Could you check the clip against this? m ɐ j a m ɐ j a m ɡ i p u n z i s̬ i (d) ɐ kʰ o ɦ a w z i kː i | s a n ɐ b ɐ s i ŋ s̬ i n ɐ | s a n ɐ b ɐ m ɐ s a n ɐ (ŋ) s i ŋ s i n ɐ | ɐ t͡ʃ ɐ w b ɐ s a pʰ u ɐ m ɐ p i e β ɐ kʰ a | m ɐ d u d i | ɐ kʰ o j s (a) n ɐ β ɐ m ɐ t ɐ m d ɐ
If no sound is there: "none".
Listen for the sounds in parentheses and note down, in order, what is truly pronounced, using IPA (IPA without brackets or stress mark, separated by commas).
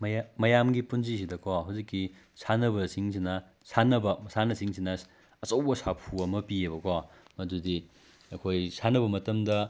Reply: d, none, a